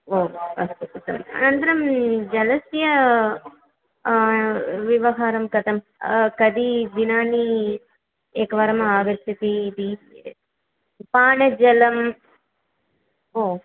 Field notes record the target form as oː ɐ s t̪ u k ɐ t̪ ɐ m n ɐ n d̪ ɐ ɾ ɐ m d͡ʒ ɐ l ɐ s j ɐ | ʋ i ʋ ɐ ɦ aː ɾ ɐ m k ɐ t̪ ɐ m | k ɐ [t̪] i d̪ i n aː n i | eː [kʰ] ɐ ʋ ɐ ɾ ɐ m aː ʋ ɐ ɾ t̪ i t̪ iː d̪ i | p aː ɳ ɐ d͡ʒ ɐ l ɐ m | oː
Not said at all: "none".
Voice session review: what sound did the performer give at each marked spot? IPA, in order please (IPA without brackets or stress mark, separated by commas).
d̪, k